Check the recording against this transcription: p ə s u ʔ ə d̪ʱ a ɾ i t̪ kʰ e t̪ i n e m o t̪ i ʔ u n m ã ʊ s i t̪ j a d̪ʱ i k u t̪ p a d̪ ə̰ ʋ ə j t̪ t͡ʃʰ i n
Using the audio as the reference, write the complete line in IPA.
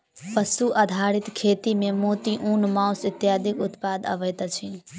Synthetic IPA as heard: p ə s u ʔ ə d̪ʱ a ɾ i t̪ kʰ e t̪ i m e m o t̪ i ʔ u n m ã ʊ s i t̪ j a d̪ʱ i k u t̪ p a d̪ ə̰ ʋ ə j t̪ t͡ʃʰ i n